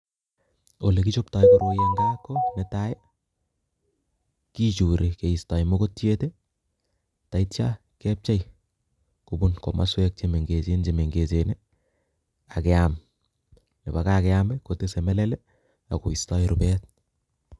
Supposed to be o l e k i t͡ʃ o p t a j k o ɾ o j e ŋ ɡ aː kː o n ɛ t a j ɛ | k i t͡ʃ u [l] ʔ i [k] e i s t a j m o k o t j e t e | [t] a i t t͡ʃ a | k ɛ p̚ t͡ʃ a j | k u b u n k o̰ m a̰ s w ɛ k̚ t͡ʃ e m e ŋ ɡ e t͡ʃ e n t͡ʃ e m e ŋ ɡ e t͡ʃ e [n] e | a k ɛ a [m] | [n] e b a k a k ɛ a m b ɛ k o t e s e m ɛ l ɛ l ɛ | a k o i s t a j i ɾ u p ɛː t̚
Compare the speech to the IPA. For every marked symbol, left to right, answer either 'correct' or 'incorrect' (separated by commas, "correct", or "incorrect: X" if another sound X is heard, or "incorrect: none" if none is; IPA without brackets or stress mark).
incorrect: ɾ, correct, correct, correct, correct, correct